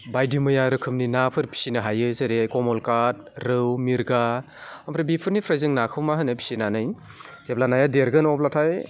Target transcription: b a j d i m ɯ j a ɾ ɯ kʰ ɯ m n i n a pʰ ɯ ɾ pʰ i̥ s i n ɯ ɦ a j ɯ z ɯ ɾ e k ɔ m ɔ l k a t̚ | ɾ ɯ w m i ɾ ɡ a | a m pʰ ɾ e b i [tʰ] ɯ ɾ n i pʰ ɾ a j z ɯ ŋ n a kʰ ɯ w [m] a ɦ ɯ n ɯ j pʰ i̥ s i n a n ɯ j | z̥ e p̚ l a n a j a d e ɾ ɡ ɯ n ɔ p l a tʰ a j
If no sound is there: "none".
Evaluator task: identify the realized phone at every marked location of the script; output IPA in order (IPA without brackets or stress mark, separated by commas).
pʰ, m